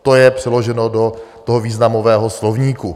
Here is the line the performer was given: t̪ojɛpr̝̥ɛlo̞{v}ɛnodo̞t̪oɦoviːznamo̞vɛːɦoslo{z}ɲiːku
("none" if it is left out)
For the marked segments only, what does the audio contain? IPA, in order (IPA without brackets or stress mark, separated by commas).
ʒ, v